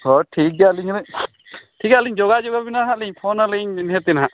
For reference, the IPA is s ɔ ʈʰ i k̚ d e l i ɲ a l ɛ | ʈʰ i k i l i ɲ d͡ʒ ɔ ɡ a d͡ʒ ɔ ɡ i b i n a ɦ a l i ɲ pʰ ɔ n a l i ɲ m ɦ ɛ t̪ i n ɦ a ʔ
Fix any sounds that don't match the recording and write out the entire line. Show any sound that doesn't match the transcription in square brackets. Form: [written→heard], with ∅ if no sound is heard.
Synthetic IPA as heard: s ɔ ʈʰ i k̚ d [e→a] l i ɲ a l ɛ | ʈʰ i k [i→a] l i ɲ d͡ʒ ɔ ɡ a d͡ʒ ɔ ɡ [i→a] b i n a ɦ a l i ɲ pʰ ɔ n a l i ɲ [m→n] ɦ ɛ t̪ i n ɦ a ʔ